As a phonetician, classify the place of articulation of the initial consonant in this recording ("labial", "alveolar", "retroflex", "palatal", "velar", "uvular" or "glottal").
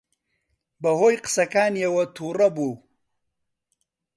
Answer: labial